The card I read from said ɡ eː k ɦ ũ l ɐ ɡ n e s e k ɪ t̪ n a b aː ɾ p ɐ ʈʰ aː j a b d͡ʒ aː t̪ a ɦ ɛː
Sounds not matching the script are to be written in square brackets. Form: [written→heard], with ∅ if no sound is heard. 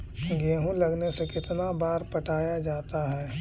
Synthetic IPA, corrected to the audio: ɡ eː [k→∅] ɦ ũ l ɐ ɡ n e s e k ɪ t̪ n a b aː ɾ p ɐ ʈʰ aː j a [b→∅] d͡ʒ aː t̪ a ɦ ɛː